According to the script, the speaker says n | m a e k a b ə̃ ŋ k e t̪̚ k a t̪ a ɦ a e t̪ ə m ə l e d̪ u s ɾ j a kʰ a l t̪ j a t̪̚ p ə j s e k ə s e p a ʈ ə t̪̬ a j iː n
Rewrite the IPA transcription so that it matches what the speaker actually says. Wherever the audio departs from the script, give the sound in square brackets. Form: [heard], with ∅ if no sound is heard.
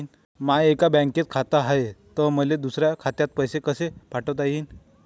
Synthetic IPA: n | m a e k a b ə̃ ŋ k e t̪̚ [kʰ] a t̪ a ɦ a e t̪ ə m ə l e d̪ u s ɾ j a kʰ a [∅] t̪ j a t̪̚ p ə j s e k ə s e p a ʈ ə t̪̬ a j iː n